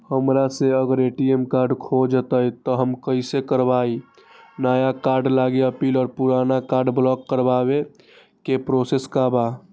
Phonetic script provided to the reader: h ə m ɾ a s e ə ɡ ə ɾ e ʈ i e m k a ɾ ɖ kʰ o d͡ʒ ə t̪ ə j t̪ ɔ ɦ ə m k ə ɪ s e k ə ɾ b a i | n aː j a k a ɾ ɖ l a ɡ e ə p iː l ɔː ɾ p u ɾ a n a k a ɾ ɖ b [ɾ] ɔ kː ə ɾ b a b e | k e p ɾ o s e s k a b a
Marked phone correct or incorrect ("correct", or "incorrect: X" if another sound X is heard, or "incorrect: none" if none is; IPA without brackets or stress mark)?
incorrect: l